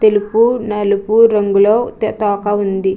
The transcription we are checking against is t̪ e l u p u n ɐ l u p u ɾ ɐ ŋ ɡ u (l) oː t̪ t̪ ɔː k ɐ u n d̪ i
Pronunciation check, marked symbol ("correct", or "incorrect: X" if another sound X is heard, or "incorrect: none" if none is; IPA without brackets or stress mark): correct